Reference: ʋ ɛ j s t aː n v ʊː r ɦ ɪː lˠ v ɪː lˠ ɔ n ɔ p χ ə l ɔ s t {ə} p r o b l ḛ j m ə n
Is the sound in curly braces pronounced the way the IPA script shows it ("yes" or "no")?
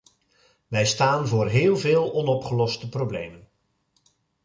yes